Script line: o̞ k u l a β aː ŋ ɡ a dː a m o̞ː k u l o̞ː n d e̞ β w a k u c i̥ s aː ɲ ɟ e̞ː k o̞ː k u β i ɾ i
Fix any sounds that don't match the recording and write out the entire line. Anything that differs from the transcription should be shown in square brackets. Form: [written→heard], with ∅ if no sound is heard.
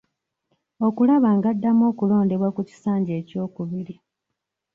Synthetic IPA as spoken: o̞ k u l a β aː ŋ ɡ a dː a m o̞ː k u l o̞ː n d e̞ β w a k u c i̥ s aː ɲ ɟ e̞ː [k→c] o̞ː k u β i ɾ i